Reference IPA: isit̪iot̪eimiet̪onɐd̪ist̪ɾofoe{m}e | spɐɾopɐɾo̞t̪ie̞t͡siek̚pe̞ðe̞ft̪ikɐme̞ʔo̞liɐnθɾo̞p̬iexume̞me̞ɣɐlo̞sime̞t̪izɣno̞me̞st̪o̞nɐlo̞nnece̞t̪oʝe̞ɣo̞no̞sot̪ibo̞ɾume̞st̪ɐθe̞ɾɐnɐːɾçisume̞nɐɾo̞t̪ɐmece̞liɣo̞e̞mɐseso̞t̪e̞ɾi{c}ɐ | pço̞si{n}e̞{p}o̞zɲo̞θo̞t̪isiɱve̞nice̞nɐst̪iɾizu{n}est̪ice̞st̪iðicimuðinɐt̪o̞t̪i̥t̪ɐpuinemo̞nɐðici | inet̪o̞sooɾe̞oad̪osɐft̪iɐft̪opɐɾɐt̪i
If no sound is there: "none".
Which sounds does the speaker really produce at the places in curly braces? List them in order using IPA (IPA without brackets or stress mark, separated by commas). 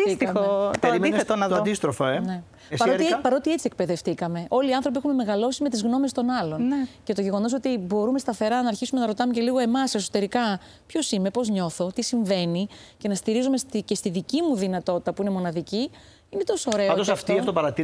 n, k, m, p, m